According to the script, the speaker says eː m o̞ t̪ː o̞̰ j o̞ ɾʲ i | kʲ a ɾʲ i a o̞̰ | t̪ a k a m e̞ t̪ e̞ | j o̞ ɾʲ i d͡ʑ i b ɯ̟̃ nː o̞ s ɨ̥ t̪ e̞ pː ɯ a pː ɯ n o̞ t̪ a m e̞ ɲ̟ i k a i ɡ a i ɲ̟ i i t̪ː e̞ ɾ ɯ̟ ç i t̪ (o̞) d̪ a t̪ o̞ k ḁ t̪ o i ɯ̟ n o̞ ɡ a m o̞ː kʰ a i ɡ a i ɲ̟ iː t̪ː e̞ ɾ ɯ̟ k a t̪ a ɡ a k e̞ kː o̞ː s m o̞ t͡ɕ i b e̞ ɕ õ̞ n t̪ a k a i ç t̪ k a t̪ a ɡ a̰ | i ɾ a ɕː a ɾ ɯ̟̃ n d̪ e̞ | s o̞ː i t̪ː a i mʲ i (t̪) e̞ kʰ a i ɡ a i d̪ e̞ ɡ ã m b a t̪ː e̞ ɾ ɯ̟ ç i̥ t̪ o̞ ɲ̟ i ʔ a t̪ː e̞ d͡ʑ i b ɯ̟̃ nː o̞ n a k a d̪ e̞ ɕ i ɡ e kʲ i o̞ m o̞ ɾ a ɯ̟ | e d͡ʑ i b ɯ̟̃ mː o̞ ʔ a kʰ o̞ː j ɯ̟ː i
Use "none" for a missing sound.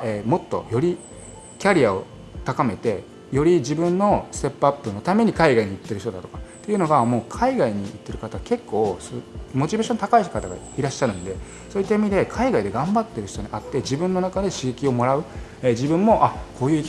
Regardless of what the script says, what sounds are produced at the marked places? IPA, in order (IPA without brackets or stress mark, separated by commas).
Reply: o̞, d̪